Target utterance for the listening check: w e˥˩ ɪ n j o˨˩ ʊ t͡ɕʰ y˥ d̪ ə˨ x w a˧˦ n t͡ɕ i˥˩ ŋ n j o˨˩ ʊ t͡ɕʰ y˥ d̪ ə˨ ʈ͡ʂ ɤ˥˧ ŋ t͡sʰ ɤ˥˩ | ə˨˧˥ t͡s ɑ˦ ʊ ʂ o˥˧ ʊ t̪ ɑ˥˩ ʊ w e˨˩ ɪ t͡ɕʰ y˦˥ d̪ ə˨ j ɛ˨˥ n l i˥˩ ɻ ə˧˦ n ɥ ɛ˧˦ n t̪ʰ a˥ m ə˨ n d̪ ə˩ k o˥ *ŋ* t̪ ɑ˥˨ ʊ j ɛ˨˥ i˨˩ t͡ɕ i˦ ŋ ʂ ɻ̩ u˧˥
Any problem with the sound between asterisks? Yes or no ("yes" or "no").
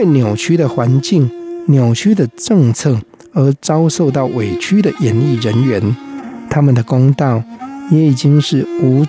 no